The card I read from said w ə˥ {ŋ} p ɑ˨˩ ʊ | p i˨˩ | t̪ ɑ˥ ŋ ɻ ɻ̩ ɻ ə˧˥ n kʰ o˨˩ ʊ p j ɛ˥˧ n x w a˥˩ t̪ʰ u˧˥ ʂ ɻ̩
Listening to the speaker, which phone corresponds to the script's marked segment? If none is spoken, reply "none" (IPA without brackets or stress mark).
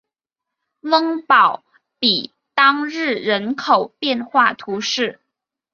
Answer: ŋ